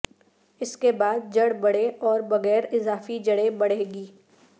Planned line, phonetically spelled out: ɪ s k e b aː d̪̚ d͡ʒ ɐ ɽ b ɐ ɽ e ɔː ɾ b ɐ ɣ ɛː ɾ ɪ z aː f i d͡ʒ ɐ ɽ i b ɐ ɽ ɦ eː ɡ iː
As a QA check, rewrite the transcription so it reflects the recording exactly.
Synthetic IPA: ɪ s k e b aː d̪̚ d͡ʒ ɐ ɽ b ɐ ɽ e ɔː ɾ b ɐ ɣ ɛː ɾ ɪ z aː f i d͡ʒ ɐ ɽ e b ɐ ɽ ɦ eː ɡ iː